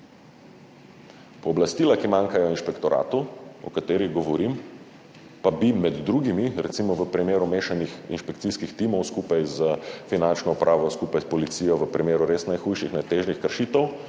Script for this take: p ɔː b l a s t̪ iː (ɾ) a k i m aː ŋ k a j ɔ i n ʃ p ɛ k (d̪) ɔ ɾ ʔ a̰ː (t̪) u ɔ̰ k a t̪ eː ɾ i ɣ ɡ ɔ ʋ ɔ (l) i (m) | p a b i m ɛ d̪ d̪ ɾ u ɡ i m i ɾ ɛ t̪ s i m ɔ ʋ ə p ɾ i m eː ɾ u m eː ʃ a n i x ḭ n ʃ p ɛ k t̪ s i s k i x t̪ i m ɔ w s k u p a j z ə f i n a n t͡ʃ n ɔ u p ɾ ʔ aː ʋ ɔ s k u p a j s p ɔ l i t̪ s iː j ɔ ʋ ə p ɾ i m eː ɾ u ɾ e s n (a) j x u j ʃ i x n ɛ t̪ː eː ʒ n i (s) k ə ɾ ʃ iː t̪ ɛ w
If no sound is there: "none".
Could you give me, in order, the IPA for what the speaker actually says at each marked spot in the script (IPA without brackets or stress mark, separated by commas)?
l, t̪, t̪, ɾ, m, a, x